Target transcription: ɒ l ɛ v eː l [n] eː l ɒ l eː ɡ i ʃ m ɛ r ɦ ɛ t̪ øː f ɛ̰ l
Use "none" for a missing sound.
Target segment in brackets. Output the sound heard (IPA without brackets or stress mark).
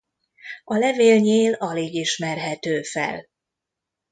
ɲ